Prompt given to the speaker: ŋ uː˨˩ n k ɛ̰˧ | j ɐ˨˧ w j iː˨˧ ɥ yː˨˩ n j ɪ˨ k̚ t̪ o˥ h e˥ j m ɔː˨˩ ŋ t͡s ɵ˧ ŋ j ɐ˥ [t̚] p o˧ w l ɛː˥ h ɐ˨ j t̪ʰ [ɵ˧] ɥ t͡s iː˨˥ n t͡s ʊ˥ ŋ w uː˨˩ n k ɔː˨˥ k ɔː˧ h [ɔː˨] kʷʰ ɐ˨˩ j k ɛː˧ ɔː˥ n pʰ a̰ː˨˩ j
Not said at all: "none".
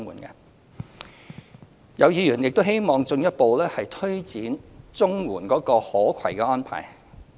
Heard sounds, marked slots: t̚, ɵ˥, ɔː˨˥

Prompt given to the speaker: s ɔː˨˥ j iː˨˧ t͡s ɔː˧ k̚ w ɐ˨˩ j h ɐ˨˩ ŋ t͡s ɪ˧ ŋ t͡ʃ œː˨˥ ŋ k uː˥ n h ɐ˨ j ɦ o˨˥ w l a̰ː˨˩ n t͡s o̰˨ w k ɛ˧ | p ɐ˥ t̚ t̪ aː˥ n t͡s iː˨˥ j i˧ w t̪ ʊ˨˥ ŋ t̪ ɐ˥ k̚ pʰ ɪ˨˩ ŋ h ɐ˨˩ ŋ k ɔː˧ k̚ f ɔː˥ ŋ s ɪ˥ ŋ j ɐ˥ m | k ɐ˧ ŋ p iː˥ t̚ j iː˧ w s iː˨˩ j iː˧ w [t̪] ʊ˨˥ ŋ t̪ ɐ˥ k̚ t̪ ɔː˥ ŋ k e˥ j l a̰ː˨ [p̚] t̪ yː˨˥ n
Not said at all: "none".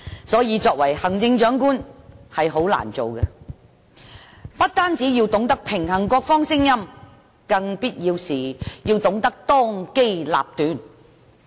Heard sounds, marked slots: t̪, p̚

